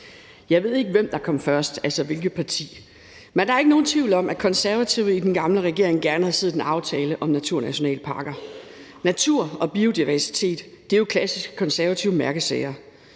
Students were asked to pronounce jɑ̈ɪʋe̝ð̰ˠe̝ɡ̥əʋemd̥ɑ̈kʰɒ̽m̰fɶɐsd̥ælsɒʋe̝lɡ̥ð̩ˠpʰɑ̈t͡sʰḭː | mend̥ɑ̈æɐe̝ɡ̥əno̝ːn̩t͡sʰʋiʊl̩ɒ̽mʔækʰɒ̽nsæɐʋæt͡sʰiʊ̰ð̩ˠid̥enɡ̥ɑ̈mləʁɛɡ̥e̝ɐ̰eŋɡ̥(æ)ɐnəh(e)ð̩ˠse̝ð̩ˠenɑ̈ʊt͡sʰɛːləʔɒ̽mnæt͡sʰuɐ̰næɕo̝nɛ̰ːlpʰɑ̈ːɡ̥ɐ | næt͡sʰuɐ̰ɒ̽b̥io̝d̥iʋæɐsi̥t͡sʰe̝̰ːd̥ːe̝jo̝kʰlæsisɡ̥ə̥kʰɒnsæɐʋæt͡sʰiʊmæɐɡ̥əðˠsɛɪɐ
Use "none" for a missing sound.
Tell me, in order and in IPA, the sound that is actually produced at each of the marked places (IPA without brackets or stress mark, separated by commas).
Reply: æ, æ